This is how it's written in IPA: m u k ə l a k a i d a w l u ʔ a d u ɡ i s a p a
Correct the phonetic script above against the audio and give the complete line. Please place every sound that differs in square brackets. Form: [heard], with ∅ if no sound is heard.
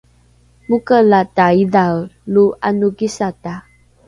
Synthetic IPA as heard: m u k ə l a [t] a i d a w l u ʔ a [n] u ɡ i s a [t] a